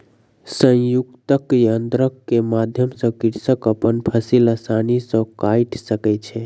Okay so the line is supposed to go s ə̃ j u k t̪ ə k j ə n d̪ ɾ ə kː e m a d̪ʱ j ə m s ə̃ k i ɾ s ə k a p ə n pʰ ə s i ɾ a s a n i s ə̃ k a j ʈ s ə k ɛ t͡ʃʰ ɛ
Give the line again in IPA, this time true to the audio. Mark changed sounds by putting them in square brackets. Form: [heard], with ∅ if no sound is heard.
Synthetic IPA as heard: s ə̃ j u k t̪ ə k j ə n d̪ ɾ ə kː e m a d̪ʱ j ə m s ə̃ k i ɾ s ə k [ə] p ə n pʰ ə s i [l] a s a n i s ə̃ k a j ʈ s ə k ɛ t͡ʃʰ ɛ